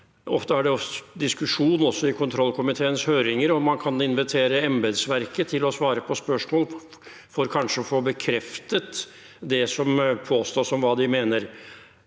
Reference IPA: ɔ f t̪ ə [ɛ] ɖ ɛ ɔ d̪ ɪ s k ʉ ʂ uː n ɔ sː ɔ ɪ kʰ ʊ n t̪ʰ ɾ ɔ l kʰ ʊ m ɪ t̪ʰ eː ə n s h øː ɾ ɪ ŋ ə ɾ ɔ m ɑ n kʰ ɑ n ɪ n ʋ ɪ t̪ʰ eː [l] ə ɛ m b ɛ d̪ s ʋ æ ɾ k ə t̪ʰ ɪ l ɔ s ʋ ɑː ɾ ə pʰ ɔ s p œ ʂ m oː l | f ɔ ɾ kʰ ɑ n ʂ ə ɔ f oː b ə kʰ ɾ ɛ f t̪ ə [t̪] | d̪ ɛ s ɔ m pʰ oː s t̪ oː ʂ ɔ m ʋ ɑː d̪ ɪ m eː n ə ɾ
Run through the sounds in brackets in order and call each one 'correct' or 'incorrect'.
incorrect, incorrect, correct

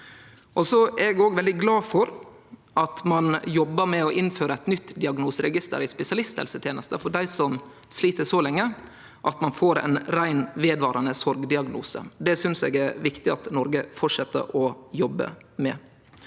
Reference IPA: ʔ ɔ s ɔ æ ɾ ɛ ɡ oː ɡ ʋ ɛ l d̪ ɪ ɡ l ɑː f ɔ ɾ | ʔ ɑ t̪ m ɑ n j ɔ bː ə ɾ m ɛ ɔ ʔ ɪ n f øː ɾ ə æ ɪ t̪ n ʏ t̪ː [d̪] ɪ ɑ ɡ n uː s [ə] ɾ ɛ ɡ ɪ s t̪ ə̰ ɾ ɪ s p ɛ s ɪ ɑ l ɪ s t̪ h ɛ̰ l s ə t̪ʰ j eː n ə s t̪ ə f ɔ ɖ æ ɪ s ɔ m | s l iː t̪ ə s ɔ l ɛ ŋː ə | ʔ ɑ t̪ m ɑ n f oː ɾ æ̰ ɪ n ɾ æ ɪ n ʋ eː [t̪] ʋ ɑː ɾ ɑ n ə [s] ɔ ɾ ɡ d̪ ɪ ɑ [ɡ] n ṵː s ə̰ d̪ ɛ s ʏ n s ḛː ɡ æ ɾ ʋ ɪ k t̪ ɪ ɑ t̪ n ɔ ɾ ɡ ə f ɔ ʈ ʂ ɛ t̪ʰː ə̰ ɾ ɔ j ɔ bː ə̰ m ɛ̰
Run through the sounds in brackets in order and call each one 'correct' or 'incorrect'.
correct, correct, incorrect, correct, correct

